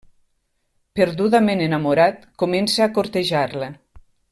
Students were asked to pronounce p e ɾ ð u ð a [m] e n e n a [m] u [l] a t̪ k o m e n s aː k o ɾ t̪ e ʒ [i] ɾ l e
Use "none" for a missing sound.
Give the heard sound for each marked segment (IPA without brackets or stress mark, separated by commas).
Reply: m, m, ɾ, a